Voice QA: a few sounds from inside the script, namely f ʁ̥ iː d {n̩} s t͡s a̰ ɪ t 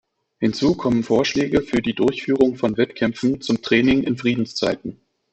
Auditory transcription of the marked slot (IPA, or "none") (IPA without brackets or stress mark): n̩